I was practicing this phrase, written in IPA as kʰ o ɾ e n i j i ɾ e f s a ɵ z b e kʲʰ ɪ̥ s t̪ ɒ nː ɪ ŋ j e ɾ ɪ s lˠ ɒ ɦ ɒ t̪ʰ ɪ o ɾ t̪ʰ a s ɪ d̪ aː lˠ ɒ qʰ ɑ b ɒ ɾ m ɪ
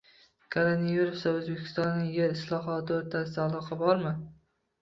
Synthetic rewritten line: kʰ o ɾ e n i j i ɾ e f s a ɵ z b e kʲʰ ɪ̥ s t̪ ɒ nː ɪ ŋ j e ɾ ɪ s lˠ ɒ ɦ ɒ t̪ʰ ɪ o ɾ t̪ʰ a s ɪ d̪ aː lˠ ɒ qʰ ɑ b ɒ ɾ m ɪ